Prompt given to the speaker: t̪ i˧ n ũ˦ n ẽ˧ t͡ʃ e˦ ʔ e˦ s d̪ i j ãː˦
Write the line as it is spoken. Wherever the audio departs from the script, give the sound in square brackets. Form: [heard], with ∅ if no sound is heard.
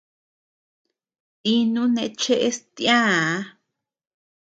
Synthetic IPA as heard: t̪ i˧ n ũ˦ n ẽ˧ t͡ʃ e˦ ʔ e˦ s [t̪] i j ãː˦